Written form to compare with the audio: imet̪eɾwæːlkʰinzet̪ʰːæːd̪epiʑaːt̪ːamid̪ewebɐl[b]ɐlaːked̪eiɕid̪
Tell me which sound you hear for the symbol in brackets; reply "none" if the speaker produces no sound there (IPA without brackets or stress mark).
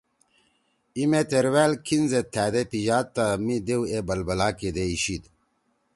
b